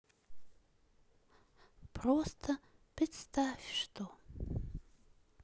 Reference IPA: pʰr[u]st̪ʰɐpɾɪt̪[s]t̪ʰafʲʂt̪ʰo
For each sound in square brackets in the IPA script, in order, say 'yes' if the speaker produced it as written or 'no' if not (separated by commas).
no, yes